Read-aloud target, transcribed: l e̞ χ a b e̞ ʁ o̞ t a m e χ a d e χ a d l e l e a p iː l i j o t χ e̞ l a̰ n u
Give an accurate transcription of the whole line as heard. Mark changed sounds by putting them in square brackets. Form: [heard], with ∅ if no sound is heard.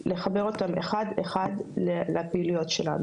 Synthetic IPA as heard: l e̞ χ a b e̞ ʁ o̞ t a m e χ a d e χ a d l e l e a p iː l i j o t [ʃ] e̞ l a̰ n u

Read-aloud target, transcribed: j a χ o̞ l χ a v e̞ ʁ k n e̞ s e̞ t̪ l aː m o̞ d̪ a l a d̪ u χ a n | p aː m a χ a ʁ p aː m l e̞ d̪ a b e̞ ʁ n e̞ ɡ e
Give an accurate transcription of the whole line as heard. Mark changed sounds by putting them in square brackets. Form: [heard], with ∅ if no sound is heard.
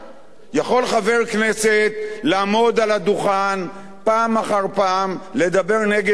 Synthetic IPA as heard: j a χ o̞ l χ a v e̞ ʁ k n e̞ s e̞ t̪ l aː m o̞ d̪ a l a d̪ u χ a n | p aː m a χ a ʁ p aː m l e̞ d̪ a b e̞ ʁ n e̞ ɡ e

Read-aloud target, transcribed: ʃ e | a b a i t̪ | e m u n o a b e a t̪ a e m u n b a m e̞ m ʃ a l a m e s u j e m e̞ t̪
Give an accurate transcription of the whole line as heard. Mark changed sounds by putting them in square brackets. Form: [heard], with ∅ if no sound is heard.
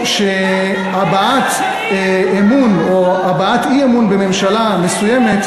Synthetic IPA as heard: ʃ e | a b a [a] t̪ | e m u n o a b [a] a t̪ [i] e m u n b [e] m e̞ m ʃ a l a m e s u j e m e̞ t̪

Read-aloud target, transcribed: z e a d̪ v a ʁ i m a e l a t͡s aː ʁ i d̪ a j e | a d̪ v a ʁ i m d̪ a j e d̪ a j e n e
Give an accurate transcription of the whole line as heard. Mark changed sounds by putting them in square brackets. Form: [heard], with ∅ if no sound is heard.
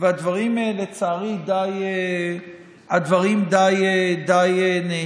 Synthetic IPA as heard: [v] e a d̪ v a ʁ i m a e l [e] t͡s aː ʁ i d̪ a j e | a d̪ v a ʁ i m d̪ a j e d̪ a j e n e

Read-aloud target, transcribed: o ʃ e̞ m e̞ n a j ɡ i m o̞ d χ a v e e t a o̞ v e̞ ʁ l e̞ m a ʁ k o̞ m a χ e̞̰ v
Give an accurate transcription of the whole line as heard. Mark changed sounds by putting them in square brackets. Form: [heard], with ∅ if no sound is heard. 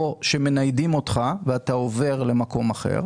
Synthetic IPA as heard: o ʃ e̞ m e̞ n a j [d] i m o̞ [t] χ a v e [a] t a o̞ v e̞ ʁ l e̞ m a [∅] k o̞ m a χ e̞̰ [ʁ]

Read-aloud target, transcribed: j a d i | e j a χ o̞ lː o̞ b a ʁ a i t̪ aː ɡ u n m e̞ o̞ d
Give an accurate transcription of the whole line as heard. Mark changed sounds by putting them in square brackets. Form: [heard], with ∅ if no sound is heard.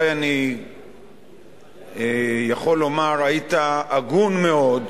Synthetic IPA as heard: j a [n] i | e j a χ o̞ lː o̞ [m] a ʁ a i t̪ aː ɡ u n m e̞ o̞ d

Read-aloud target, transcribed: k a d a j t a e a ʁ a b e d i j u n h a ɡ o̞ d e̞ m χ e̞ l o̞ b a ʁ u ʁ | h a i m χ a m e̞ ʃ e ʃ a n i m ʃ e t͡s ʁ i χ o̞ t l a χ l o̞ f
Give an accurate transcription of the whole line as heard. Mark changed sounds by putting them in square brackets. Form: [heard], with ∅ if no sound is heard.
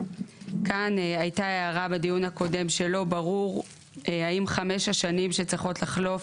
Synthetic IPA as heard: k a [n] a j t a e a ʁ a b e d i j u n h a [k] o̞ d e̞ m [ʃ] e̞ l o̞ b a ʁ u ʁ | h a i m χ a m e̞ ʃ [a] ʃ a n i m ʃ e t͡s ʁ i χ o̞ t l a χ l o̞ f

